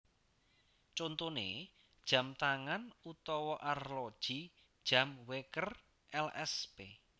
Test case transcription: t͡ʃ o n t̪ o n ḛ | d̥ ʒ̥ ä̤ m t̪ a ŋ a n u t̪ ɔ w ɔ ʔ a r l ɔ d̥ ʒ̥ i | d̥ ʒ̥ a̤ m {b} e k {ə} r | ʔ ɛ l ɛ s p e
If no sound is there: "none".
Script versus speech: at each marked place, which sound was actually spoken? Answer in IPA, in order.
w, ə

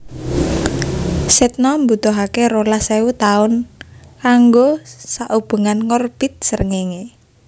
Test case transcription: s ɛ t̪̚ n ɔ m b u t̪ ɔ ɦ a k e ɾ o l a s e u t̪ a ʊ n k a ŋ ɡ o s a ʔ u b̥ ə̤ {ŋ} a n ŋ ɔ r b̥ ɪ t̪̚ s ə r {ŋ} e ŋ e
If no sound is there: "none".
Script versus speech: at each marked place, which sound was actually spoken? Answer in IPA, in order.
ŋ, ŋ

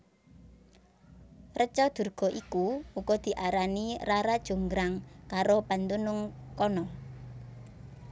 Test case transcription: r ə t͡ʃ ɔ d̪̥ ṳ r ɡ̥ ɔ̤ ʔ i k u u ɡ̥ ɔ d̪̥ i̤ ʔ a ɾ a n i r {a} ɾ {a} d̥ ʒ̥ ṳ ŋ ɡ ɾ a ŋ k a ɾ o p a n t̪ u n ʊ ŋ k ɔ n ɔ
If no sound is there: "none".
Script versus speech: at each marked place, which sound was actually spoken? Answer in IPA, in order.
a, a

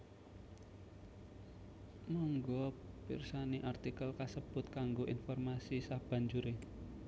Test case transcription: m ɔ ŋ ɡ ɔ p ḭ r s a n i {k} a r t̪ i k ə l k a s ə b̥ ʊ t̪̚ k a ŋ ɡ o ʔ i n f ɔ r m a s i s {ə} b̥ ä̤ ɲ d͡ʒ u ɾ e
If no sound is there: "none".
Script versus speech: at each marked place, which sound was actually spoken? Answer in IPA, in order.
ʔ, a

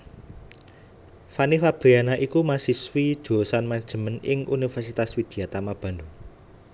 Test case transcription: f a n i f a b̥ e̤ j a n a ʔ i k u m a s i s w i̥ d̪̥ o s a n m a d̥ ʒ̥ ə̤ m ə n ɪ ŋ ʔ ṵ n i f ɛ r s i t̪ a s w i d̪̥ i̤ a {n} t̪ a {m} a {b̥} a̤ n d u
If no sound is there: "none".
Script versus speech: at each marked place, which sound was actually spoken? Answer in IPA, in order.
none, m, b̥

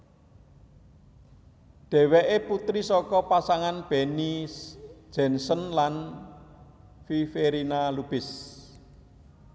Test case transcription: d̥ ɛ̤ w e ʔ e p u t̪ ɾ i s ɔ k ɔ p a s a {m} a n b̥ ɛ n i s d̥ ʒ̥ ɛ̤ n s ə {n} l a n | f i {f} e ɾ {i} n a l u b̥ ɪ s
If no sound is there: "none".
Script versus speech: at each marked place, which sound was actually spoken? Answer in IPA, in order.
ŋ, n, f, i

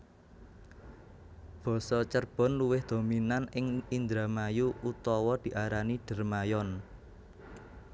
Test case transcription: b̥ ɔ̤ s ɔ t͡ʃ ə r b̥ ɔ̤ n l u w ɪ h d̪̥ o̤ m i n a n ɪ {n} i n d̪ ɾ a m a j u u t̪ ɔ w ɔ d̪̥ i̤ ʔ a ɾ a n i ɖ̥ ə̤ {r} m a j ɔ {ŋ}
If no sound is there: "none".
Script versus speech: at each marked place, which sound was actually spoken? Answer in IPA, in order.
ŋ, r, n

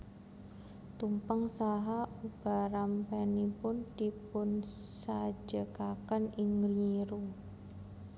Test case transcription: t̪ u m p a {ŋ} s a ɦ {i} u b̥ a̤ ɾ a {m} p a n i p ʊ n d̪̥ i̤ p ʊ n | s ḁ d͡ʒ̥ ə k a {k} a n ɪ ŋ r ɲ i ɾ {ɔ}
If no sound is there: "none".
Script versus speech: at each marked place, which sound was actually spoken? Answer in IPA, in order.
ŋ, a, m, k, u

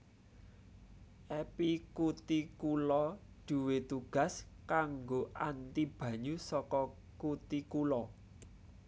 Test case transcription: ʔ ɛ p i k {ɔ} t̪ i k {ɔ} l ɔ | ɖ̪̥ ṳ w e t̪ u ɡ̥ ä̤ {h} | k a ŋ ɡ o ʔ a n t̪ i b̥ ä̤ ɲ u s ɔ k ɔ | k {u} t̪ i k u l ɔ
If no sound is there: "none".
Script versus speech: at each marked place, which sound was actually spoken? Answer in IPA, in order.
u, u, s, u

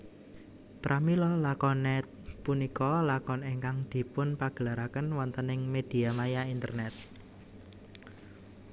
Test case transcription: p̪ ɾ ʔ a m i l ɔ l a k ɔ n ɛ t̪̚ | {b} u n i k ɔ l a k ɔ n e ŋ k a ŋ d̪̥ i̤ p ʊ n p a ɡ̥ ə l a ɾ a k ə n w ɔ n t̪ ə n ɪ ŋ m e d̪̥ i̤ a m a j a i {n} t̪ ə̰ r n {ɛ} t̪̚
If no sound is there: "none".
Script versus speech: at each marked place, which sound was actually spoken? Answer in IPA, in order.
p, n, ɛ

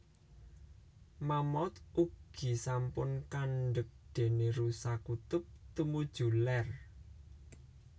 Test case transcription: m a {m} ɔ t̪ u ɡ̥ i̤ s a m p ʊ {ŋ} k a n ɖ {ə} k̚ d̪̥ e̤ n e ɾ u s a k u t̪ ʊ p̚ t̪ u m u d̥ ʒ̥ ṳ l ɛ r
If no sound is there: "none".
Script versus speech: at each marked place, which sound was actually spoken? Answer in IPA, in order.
m, n, ə

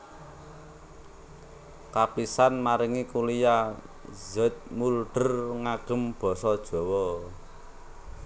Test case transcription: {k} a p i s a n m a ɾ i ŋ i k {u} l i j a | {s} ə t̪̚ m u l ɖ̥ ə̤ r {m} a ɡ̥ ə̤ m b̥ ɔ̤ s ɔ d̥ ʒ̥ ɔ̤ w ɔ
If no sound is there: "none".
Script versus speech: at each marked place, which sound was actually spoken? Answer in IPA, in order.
k, u, z, ŋ

